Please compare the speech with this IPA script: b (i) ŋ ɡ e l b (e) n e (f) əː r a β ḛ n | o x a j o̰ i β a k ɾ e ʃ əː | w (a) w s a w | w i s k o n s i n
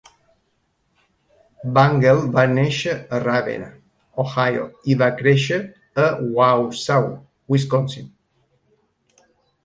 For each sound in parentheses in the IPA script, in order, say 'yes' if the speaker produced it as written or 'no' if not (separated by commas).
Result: no, no, no, yes